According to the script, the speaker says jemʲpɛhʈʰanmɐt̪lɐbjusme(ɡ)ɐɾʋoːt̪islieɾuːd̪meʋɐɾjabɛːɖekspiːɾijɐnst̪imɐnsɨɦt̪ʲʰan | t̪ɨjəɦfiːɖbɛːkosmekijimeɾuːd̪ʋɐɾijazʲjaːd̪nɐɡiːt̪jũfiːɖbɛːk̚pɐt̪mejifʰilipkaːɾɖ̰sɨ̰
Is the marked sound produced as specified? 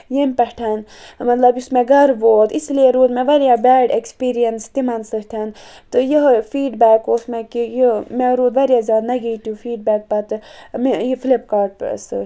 yes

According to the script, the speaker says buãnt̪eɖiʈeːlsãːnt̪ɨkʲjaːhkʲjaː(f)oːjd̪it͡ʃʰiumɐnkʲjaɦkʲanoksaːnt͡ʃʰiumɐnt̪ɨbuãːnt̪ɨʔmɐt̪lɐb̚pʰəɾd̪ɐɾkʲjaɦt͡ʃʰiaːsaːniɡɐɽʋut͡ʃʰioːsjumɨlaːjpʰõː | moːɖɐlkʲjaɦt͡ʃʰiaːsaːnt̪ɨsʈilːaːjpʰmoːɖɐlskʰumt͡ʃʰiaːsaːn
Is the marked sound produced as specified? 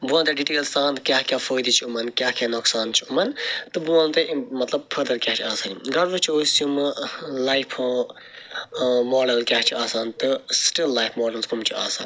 yes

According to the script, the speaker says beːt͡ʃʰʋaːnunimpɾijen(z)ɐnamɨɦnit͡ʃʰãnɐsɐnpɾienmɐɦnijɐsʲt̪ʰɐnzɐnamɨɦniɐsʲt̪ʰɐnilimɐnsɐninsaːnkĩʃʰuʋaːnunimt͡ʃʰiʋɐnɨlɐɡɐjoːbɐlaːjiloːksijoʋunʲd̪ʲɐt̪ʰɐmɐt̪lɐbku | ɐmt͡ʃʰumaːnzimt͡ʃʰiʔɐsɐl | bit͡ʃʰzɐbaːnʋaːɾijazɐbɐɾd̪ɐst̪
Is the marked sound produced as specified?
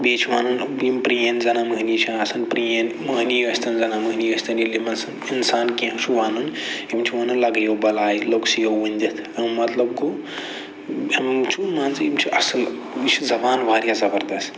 yes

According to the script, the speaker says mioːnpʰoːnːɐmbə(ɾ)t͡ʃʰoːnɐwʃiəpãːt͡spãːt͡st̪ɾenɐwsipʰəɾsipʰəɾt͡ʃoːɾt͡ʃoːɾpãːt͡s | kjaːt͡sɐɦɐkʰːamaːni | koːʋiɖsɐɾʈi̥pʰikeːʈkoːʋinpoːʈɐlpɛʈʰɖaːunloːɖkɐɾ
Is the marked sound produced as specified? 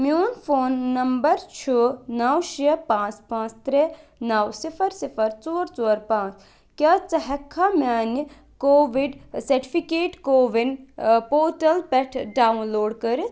yes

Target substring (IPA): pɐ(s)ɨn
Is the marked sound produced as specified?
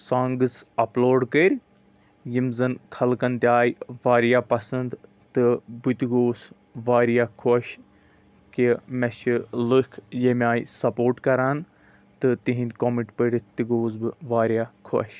yes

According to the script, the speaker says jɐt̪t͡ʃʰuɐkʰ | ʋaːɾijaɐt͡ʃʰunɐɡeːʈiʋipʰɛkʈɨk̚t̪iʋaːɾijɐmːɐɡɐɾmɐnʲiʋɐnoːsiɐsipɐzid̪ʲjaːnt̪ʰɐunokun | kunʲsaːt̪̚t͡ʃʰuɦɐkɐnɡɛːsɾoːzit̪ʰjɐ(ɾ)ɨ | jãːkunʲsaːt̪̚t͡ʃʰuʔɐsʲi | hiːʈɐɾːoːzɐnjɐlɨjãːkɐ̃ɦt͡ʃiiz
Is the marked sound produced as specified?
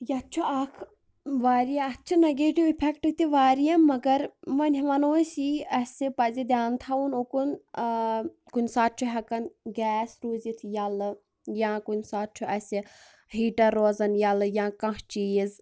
no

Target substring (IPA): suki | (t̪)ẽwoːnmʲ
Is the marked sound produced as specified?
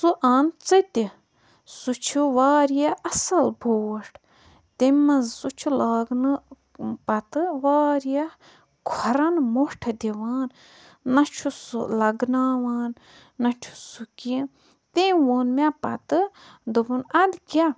yes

